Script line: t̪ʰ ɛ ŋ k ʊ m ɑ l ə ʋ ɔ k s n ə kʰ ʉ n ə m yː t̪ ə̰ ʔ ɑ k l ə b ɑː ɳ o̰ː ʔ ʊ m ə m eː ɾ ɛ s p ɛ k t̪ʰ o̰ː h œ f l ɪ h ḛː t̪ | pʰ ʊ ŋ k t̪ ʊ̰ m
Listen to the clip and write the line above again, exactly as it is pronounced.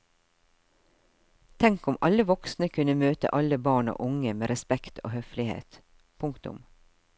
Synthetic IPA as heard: t̪ʰ ɛ ŋ k ʊ m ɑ l ə ʋ ɔ k s n ə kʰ ʉ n ə m øː t̪ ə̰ ʔ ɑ l ə b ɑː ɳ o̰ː ʔ ʊ ŋ ə m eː ɾ ɛ s p ɛ k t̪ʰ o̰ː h œ f l ɪ h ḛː t̪ | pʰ ʊ ŋ k t̪ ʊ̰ m